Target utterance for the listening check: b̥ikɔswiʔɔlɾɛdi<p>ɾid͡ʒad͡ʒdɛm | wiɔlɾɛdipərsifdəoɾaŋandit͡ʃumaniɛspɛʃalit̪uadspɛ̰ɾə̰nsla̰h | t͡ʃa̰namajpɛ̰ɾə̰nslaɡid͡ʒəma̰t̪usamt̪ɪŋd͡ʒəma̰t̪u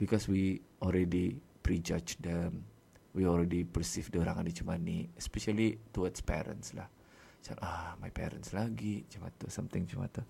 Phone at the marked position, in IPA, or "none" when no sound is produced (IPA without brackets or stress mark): p